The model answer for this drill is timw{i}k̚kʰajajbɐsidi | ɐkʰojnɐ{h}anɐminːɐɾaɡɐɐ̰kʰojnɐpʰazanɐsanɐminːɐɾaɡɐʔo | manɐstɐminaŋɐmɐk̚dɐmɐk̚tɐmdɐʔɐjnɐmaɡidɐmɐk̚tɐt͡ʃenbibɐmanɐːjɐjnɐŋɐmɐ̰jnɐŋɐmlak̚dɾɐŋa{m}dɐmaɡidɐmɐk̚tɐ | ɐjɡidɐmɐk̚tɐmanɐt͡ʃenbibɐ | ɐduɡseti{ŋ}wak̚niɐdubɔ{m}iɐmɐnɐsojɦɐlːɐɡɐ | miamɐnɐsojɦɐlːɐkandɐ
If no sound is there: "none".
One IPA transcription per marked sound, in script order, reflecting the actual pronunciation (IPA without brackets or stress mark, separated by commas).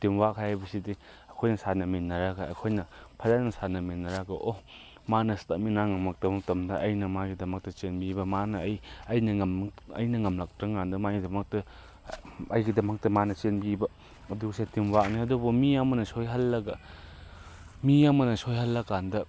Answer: a, s, n, m, m